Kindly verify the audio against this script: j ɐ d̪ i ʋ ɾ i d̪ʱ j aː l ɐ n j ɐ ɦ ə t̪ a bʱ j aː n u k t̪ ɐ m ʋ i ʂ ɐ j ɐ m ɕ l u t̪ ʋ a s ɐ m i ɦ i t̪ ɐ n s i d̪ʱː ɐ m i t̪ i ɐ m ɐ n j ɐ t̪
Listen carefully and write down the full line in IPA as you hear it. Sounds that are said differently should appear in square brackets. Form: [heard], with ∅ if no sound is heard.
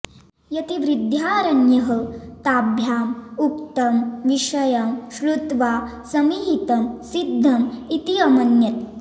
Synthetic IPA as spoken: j ɐ [t̪] i ʋ ɾ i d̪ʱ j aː [ɾ] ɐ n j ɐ ɦ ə t̪ a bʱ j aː [m] u k t̪ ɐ m ʋ i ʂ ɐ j ɐ m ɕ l u t̪ ʋ a s ɐ m i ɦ i t̪ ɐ [m] s i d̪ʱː ɐ m i t̪ i ɐ m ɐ n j ɐ t̪